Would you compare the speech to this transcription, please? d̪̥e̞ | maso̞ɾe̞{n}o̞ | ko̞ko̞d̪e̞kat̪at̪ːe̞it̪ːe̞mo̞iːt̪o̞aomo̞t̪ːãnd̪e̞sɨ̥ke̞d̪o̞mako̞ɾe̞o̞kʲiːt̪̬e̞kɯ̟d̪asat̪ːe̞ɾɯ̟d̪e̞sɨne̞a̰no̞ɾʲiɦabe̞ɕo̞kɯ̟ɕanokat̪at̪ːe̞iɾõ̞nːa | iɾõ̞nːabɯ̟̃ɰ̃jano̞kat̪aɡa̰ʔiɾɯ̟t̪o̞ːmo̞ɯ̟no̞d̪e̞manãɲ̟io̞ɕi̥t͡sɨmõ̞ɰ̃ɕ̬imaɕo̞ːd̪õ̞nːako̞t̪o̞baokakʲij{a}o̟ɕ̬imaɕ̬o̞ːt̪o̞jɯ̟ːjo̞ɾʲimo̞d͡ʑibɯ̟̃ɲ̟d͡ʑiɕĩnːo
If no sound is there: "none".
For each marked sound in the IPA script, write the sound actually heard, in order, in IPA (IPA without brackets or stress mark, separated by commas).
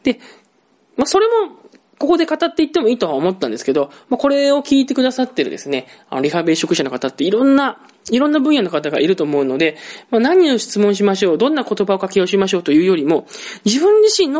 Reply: m, a